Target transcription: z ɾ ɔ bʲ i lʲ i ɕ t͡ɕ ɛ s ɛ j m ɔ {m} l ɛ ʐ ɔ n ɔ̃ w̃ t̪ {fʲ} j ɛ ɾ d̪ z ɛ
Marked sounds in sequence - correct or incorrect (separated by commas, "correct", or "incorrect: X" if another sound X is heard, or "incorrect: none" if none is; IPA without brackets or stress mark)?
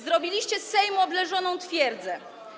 incorrect: b, correct